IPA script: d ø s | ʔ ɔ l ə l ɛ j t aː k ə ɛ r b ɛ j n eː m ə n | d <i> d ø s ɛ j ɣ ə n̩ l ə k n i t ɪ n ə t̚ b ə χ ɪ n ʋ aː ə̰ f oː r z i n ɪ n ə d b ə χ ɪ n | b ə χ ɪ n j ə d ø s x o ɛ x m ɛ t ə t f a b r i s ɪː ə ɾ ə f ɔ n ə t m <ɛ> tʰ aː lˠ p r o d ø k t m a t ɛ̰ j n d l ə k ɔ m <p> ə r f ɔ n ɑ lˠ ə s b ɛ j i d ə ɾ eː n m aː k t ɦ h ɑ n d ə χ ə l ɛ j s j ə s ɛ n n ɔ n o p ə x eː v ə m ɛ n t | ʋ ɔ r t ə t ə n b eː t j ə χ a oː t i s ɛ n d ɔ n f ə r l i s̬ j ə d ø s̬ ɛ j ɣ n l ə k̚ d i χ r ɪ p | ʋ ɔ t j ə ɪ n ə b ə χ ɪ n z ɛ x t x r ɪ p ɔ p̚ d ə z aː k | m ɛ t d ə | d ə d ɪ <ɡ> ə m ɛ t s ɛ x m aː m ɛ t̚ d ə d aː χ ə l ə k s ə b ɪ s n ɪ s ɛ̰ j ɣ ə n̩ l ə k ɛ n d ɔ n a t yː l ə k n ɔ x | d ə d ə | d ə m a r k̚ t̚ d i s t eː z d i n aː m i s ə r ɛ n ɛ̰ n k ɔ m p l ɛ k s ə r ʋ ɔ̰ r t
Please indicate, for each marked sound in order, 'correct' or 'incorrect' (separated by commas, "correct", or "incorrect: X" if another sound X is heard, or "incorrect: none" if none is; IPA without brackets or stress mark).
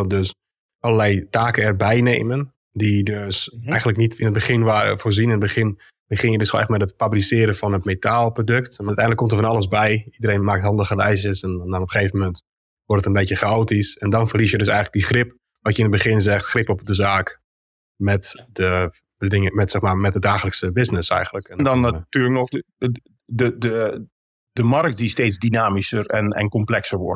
correct, incorrect: e, incorrect: t, incorrect: ŋ